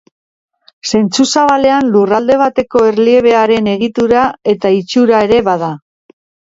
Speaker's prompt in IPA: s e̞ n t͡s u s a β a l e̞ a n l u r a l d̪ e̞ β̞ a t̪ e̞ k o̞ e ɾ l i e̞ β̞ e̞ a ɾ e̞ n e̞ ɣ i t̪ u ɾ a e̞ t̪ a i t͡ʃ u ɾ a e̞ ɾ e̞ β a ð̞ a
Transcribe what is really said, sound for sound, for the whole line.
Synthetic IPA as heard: s e̞ n t͡s u s a β a l e̞ a n l u r a l d̪ e̞ β̞ a t̪ e̞ k o̞ e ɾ l i e̞ β̞ e̞ a ɾ e̞ n e̞ ɣ i t̪ u ɾ a e̞ t̪ a i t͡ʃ u ɾ a e̞ ɾ e̞ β a ð̞ a